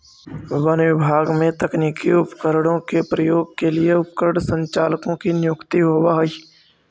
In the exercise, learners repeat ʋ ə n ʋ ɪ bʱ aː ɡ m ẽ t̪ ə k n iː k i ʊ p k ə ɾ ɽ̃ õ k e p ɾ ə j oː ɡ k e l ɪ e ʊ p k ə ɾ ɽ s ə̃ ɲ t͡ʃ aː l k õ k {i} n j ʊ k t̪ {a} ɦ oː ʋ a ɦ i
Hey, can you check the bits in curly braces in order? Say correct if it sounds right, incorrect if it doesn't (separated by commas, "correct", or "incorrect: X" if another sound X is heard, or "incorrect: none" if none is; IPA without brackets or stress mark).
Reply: correct, incorrect: i